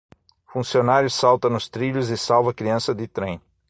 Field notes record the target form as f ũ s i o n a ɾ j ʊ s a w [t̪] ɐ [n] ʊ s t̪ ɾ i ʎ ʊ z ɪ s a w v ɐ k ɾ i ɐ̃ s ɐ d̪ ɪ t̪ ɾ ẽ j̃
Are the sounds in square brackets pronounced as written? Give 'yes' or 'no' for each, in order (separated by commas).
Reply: yes, yes